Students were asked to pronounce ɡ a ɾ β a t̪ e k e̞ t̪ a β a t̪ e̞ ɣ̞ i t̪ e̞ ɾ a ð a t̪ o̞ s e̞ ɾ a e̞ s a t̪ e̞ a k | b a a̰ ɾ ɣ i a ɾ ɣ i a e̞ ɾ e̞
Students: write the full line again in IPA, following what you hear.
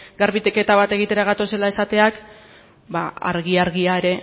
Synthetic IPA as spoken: ɡ a ɾ β i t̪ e k e̞ t̪ a β a t̪ e̞ ɣ̞ i t̪ e̞ ɾ a ɣ a t̪ o̞ s e̞ l a e̞ s a t̪ e̞ a k | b a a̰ ɾ ɣ i a ɾ ɣ i a e̞ ɾ e̞

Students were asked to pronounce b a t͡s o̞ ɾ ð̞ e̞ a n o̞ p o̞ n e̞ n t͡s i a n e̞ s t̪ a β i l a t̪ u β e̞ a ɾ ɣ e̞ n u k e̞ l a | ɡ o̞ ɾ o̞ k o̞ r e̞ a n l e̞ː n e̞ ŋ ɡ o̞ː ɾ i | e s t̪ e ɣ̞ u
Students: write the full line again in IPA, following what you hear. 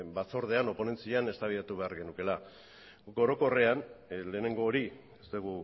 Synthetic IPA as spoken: b a t͡s o̞ ɾ ð̞ e̞ a n o̞ p o̞ n e̞ n t͡s i a n e̞ s t̪ a β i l a t̪ u β e̞ a ɾ ɣ e̞ n u k e̞ l a | ɡ o̞ ɾ o̞ k o̞ r e̞ a n l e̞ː n e̞ ŋ ɡ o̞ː ɾ i | e s t̪ e ɣ̞ u

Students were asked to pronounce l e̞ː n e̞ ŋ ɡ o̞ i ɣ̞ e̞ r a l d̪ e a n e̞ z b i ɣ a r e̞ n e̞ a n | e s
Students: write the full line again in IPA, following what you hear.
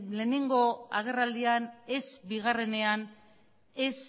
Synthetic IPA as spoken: l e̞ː n e̞ ŋ ɡ o̞ a ɣ̞ e̞ r a l d̪ i a n e̞ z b i ɣ a r e̞ n e̞ a n | e s

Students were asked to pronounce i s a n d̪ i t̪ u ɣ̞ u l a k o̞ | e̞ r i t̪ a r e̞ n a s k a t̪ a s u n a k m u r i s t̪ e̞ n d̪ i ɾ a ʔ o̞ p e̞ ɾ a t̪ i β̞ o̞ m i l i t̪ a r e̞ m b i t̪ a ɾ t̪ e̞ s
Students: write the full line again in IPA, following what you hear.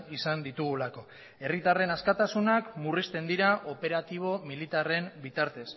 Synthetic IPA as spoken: i s a n d̪ i t̪ u ɣ̞ u l a k o̞ | e̞ r i t̪ a r e̞ n a s k a t̪ a s u n a k m u r i s t̪ e̞ n d̪ i ɾ a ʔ o̞ p e̞ ɾ a t̪ i β̞ o̞ m i l i t̪ a r e̞ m b i t̪ a ɾ t̪ e̞ s

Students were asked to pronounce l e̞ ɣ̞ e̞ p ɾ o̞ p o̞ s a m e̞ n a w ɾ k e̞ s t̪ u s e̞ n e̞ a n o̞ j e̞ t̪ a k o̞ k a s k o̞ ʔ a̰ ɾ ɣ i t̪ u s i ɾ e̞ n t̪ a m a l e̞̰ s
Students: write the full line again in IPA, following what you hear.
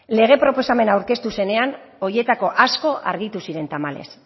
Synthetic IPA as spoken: l e̞ ɣ̞ e̞ p ɾ o̞ p o̞ s a m e̞ n a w ɾ k e̞ s t̪ u s e̞ n e̞ a n o̞ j e̞ t̪ a k o̞ ʔ a s k o̞ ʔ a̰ ɾ ɣ i t̪ u s i ɾ e̞ n t̪ a m a l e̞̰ s

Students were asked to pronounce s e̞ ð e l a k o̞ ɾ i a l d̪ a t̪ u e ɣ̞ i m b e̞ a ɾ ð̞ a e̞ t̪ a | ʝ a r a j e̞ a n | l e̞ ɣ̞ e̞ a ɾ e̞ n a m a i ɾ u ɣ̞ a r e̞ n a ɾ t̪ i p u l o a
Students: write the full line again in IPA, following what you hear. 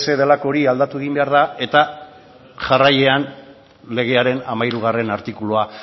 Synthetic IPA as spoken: s e̞ ð e l a k o̞ ɾ i a l d̪ a t̪ u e ɣ̞ i m b e̞ a ɾ ð̞ a e̞ t̪ a | ʝ a r a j e̞ a n | l e̞ ɣ̞ e̞ a ɾ e̞ n a m a j ɾ u ɣ̞ a r e̞ n a ɾ t̪ i k u l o a

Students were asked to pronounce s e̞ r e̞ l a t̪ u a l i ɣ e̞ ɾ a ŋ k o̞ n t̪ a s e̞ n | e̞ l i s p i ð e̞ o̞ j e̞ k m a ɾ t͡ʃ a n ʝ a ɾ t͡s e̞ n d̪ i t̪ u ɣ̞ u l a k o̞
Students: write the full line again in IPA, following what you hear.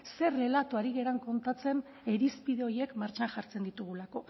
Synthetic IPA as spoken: s e̞ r e̞ l a t̪ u a ɾ i ɣ e̞ ɾ a ŋ k o̞ n t̪ a t͡s e̞ n | e̞ ɾ i s p i ð e̞ o̞ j e̞ k m a ɾ t͡ʃ a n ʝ a ɾ t͡s e̞ n d̪ i t̪ u ɣ̞ u l a k o̞

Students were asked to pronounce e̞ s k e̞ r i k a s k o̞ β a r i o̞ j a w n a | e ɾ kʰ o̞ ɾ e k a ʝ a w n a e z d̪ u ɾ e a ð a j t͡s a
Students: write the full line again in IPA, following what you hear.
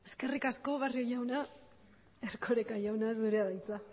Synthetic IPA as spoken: e̞ s k e̞ r i k a s k o̞ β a r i o̞ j a w n a | e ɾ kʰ o̞ ɾ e k a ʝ a w n a e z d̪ u ɾ e a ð a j t͡s a

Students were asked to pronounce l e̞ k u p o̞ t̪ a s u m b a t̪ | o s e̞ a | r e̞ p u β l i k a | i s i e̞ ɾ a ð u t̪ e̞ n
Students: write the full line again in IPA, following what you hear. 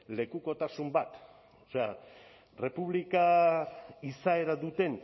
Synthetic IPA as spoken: l e̞ k u k o̞ t̪ a s u m b a t̪ | o s e̞ a | r e̞ p u β l i k a | i s a e̞ ɾ a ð u t̪ e̞ n

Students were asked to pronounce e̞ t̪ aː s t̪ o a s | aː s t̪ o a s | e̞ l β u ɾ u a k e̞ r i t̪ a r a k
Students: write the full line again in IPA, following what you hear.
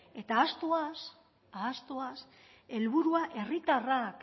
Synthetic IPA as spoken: e̞ t̪ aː s t̪ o a s | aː s t̪ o a s | e̞ l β u ɾ u a ʔ e̞ r i t̪ a r a k

